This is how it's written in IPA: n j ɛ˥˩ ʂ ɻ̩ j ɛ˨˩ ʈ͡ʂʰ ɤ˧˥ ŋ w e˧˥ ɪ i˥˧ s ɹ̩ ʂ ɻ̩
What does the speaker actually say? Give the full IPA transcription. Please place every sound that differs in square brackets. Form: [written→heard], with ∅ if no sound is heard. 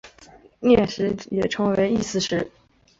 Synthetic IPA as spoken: n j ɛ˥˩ ʂ ɻ̩ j ɛ˨˩ ʈ͡ʂʰ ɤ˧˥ ŋ w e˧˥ ɪ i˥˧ s ɹ̩ ʂ ɻ̩